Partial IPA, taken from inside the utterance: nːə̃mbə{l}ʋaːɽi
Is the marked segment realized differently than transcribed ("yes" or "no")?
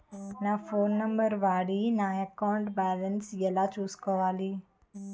yes